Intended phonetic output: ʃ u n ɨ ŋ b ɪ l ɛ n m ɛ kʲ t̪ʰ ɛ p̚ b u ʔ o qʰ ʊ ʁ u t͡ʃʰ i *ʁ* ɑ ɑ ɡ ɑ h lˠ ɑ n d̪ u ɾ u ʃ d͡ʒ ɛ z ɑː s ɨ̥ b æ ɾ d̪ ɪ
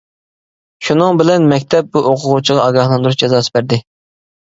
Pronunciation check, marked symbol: correct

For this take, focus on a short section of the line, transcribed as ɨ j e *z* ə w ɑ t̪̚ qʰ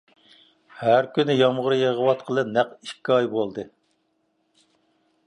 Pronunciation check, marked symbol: incorrect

